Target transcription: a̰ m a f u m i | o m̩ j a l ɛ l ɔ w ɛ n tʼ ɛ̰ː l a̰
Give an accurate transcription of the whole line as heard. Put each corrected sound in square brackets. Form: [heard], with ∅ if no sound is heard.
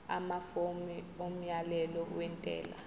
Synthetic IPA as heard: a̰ m a f [o] m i | o m̩ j a l ɛ l ɔ w ɛ n tʼ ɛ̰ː l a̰

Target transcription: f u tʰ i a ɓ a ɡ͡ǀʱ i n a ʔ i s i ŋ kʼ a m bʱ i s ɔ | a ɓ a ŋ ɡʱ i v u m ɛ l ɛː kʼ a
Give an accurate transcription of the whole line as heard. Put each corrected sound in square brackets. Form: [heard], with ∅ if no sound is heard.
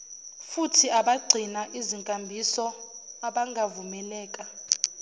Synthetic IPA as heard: f u tʰ i a ɓ a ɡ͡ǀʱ i n a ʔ i [z] i ŋ kʼ a m bʱ i s ɔ | a ɓ a ŋ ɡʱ [a] v u m ɛ l ɛː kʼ a

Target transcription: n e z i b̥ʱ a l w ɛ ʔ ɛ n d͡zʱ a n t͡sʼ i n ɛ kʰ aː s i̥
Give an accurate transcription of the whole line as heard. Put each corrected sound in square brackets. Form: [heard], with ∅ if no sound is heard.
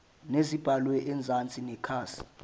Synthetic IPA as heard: n e z i b̥ʱ a l w ɛ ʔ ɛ n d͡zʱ a n t͡sʼ i n ɛ kʰ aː s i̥

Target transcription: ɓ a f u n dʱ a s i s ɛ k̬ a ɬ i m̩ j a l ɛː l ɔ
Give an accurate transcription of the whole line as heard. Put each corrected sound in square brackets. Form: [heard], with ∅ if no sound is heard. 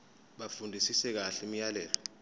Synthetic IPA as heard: ɓ a f u n dʱ [i] s i s ɛ k̬ a ɬ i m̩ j a l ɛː l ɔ

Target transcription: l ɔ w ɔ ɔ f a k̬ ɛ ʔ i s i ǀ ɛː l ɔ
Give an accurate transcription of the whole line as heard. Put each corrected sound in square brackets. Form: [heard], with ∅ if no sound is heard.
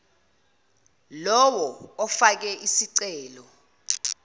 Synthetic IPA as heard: l ɔ w ɔ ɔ f a k̬ ɛ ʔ i s i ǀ ɛː l ɔ

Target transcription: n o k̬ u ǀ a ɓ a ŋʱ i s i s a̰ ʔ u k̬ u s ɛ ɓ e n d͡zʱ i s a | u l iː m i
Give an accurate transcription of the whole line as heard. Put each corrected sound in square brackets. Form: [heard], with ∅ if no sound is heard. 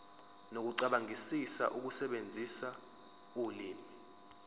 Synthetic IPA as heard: n o k̬ u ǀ a ɓ a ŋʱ i s i s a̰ ʔ u k̬ u s ɛ ɓ e n d͡zʱ i s a | u l iː m i

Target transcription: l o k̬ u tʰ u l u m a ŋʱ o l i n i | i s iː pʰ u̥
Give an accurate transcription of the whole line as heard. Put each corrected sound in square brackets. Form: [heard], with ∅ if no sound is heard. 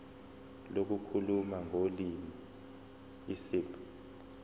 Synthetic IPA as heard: l o k̬ u [kʰ] u l u m a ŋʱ o l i [m] i | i s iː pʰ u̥

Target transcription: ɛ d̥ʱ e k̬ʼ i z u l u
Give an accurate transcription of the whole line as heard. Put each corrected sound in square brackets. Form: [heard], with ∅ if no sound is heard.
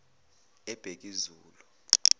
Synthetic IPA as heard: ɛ [b̥ʱ] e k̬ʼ i z [uː] l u

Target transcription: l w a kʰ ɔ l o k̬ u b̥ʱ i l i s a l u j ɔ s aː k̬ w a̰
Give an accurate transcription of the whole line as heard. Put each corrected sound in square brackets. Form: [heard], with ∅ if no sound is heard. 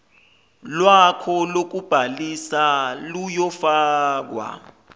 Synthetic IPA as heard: l w a kʰ ɔ l o k̬ u b̥ʱ [a] l i s a l u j ɔ [f] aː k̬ w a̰

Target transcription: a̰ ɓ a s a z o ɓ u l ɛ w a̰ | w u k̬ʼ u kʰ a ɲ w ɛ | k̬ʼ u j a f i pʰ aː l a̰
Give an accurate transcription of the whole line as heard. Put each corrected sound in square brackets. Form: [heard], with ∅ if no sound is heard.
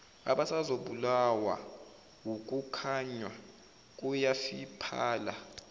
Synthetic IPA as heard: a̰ ɓ a s a z o ɓ u l [a] w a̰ | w u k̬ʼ u kʰ a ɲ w [a] | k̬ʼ u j a f i pʰ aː l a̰

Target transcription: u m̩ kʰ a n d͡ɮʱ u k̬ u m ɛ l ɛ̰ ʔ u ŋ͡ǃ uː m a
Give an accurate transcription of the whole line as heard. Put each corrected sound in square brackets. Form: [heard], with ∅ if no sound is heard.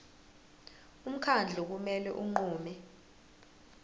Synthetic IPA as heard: u m̩ kʰ a n d͡ɮʱ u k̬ u m ɛ l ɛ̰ ʔ u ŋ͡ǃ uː m [ɛ]

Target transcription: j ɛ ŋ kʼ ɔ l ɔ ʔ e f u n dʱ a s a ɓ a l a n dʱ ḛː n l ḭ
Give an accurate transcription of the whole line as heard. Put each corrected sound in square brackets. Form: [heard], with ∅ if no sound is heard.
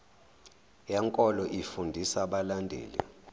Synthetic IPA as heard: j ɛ ŋ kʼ ɔ l ɔ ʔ [i] f u n dʱ [i] s a ɓ a l a n dʱ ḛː [∅] l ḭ

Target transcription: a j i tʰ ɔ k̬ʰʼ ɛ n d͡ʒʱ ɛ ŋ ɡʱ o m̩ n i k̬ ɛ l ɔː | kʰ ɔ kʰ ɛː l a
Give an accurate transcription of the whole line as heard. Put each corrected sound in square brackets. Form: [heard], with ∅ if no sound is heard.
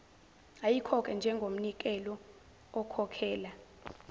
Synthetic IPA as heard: a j i [kʰ] ɔ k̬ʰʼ ɛ n d͡ʒʱ ɛ ŋ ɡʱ o m̩ n i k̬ ɛ l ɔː | kʰ ɔ kʰ ɛː l a

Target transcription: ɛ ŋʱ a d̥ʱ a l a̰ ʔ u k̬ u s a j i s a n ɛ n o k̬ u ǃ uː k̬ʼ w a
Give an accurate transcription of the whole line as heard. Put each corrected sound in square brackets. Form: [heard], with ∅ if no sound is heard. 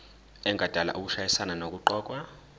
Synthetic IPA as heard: ɛ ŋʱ a d̥ʱ a l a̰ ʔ u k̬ u [ʃ] a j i s a n [a] n o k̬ u ǃ [ɔː] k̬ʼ w a

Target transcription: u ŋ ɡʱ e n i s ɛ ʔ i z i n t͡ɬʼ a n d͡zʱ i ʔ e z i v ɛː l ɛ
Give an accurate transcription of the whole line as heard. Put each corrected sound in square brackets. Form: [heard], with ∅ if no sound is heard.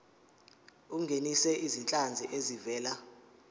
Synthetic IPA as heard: u ŋ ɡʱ e n i s ɛ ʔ i z i n t͡ɬʼ a n d͡zʱ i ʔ e z i v ɛː l [a]

